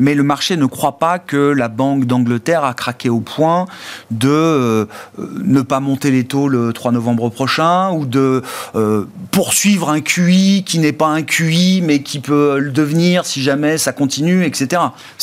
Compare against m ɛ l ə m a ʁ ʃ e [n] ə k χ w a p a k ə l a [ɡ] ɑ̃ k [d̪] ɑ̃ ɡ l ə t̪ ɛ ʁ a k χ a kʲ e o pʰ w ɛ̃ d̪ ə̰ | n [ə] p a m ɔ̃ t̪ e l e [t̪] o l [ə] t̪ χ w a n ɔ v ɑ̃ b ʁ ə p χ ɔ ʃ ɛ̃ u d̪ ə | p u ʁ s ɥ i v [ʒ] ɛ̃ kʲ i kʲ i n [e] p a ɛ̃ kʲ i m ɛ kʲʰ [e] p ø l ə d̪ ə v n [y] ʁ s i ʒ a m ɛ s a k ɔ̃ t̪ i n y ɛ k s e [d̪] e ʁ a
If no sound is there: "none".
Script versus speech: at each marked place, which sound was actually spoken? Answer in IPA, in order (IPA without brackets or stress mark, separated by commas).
n, b, d̪, ə, t̪, ə, ʁ, ɛ, i, i, t̪